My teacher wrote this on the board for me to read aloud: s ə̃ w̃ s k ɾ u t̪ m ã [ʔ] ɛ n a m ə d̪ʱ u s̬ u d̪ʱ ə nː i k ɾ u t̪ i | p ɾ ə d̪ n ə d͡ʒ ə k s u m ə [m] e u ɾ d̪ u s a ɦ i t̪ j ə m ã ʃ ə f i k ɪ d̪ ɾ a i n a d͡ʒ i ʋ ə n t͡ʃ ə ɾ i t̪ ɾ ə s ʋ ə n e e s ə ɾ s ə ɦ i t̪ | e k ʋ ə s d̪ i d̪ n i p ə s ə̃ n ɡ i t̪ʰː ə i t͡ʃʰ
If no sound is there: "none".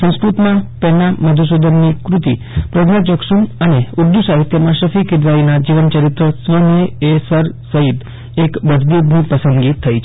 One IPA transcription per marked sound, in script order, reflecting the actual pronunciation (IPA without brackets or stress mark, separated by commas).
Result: p, n